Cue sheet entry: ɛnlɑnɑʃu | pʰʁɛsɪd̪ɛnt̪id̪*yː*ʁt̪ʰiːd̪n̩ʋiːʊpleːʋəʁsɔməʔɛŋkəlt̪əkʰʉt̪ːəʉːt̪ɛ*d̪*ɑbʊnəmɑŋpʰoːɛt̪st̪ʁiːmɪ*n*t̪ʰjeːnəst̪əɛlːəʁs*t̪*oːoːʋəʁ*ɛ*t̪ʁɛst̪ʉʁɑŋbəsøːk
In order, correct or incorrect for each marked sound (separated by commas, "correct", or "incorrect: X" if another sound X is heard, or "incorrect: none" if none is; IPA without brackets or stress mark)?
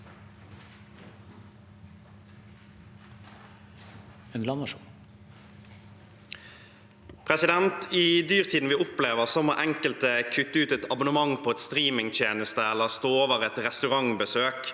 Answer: correct, incorrect: t̪, incorrect: ŋ, correct, correct